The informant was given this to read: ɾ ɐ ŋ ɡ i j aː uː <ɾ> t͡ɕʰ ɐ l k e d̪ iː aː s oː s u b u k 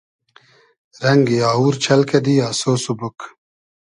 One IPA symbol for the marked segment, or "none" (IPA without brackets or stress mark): ɾ